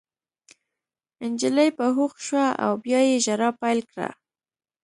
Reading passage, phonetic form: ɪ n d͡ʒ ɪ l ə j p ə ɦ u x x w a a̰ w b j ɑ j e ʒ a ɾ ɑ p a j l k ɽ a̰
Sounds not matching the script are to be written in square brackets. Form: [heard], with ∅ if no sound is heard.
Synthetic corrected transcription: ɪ n d͡ʒ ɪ l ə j p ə ɦ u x [ʃ] w a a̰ w b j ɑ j e ʒ a ɾ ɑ p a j l k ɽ a̰